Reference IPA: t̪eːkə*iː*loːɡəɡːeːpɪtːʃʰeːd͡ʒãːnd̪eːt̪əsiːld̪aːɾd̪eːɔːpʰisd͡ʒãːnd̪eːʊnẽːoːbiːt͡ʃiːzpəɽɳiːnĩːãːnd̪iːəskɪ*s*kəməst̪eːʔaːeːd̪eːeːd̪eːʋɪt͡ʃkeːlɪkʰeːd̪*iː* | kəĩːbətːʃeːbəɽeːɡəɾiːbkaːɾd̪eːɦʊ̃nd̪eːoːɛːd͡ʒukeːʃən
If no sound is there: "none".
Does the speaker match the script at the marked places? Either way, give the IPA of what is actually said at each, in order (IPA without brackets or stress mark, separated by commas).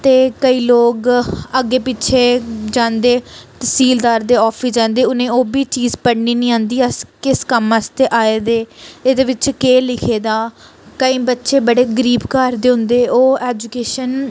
iː, s, aː